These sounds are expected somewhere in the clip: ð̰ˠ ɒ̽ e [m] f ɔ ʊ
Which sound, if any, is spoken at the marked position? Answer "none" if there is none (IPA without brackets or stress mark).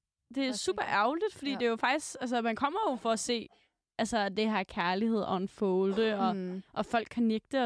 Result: n